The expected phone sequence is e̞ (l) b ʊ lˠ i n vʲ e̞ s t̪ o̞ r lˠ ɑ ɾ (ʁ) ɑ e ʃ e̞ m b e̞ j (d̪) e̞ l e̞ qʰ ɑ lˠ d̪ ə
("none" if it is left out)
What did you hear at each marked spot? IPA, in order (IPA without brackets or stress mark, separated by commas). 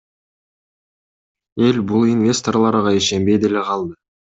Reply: l, ʁ, d̪